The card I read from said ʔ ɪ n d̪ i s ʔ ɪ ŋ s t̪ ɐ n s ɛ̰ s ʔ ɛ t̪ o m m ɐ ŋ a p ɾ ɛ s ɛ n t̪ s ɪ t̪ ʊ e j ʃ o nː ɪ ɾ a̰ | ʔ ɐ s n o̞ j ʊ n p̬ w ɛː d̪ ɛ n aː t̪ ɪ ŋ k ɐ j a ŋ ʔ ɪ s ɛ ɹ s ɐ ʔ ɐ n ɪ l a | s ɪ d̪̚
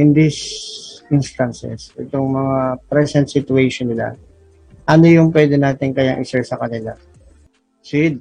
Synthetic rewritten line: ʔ ɪ n d̪ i s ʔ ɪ n s t̪ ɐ n s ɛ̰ s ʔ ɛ t̪ o ŋ m ɐ ŋ a p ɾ ɛ s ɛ n t̪ s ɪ t̪ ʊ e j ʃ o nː ɪ l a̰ | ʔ ɐ n o̞ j ʊ ŋ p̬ w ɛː d̪ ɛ n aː t̪ ɪ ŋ k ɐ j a ŋ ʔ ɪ s ɛ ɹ s ɐ k ɐ n ɪ l a | s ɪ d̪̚